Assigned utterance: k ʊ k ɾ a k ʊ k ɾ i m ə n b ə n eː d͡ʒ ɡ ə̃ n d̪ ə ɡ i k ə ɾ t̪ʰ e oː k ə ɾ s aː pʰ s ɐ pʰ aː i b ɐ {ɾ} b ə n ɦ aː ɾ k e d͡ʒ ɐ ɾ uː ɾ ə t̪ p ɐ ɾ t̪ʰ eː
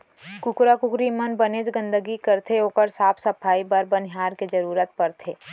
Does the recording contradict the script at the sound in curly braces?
no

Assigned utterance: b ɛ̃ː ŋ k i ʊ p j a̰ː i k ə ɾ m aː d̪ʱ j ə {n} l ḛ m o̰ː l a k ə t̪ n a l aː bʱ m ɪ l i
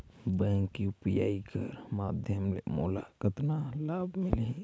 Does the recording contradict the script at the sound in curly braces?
yes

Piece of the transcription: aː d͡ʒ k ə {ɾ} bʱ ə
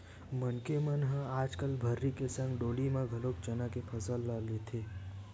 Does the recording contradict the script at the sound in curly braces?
yes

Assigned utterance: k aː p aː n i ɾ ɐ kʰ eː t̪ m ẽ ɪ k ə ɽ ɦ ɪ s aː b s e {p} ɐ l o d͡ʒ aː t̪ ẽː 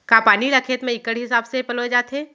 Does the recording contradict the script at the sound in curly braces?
no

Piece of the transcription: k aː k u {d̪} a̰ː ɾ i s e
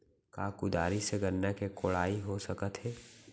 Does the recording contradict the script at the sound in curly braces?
no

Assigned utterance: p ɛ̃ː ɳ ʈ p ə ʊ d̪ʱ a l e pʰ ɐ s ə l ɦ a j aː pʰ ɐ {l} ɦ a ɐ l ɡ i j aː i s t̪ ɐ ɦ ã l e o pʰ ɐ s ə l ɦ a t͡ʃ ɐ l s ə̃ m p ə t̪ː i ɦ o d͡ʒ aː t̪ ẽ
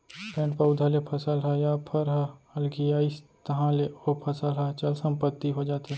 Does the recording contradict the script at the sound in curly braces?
yes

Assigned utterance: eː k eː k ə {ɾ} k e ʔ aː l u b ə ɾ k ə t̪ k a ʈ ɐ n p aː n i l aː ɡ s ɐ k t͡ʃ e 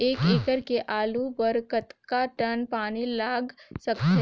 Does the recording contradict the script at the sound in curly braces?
no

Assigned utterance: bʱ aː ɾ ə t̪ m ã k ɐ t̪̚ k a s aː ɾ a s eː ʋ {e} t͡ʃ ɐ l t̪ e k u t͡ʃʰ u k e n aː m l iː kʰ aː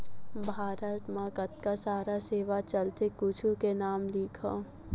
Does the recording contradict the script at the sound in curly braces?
yes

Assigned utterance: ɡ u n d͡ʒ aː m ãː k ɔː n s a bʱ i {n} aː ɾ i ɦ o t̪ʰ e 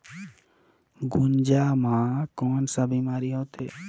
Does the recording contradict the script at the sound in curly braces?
yes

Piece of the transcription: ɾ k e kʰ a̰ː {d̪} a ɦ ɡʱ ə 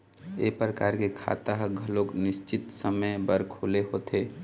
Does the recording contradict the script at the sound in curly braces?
yes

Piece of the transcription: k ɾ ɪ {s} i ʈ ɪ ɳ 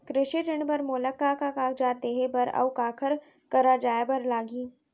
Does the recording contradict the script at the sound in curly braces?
yes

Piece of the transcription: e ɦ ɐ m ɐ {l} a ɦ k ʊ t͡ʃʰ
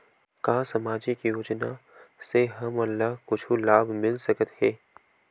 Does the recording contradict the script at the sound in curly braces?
yes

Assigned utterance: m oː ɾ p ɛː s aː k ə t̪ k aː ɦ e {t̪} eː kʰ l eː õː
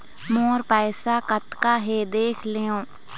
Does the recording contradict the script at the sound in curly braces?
yes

